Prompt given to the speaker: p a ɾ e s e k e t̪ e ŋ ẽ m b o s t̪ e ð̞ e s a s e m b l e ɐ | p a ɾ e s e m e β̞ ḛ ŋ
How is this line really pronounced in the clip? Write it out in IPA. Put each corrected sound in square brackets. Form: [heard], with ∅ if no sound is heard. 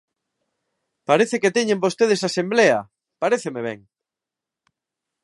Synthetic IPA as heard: p a ɾ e [θ] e k e t̪ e [ɲ] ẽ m b o s t̪ e ð̞ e s a s e m b l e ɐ | p a ɾ e [θ] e m e β̞ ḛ ŋ